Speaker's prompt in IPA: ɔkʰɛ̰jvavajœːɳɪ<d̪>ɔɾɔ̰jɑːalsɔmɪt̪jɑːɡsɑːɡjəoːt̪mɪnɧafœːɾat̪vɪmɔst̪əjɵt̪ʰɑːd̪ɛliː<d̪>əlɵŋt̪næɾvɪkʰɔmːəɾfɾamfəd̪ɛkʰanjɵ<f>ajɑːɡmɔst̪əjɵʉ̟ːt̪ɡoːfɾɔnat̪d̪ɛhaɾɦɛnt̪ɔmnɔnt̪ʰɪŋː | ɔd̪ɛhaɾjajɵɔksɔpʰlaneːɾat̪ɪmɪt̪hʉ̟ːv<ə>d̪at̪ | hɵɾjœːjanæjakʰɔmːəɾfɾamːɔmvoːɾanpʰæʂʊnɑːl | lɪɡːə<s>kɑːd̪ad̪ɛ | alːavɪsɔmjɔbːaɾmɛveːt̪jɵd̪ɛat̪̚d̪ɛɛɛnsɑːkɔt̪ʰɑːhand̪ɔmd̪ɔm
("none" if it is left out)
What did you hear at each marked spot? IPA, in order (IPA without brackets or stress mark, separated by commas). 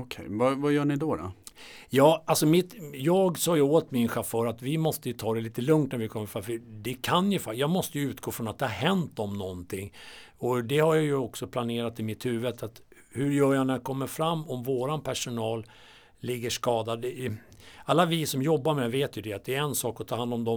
d̪, t̪, f, ə, ʂ